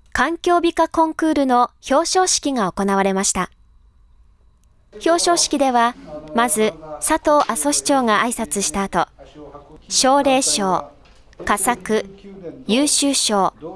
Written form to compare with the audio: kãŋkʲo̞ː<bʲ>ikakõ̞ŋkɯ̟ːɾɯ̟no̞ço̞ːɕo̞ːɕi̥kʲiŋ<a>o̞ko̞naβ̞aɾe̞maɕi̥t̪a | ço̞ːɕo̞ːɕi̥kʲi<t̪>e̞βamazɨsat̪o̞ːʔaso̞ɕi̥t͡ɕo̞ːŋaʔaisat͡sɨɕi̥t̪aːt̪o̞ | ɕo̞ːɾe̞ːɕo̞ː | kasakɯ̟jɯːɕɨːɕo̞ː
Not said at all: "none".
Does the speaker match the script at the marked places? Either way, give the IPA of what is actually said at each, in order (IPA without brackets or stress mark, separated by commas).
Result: bʲ, a, d̪